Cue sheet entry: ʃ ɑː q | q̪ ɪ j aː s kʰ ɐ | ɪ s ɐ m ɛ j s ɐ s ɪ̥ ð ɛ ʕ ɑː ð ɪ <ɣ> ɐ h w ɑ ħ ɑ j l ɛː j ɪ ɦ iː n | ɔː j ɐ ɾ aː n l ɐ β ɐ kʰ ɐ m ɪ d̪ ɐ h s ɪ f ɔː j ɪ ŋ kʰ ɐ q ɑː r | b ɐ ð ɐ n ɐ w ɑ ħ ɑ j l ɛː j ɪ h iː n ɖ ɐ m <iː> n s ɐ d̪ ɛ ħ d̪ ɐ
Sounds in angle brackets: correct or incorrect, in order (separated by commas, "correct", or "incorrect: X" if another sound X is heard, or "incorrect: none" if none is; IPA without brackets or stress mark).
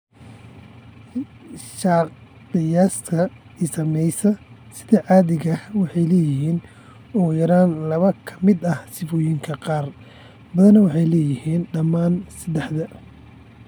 correct, incorrect: aː